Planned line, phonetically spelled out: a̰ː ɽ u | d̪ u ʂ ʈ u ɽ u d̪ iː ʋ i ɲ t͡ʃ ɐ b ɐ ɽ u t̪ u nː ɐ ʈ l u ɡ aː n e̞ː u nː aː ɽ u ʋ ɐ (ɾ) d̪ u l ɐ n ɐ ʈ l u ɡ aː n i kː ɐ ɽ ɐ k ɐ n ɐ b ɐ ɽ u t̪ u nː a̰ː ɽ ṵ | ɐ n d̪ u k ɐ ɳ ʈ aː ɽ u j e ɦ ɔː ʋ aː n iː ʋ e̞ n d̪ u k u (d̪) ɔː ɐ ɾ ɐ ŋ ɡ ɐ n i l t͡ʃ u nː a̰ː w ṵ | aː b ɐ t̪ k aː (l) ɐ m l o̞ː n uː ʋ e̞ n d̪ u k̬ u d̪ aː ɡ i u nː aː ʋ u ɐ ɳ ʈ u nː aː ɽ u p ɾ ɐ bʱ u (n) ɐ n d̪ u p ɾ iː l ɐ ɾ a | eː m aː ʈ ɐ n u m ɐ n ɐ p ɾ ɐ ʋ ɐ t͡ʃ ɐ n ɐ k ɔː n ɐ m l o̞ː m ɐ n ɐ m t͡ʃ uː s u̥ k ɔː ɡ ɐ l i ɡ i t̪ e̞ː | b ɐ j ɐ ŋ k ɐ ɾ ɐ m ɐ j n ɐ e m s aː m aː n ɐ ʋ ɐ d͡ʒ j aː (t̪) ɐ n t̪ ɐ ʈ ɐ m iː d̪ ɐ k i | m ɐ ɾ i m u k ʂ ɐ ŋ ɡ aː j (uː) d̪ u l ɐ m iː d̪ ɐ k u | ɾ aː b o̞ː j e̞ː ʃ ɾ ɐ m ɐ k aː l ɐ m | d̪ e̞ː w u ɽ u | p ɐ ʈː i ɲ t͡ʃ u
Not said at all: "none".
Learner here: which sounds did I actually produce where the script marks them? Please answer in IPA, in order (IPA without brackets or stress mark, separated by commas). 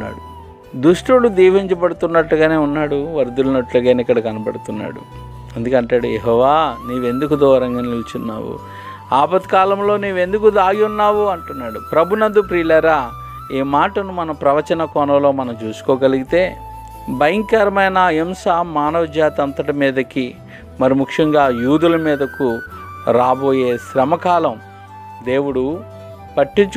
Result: ɾ, d̪, l, n, t̪, uː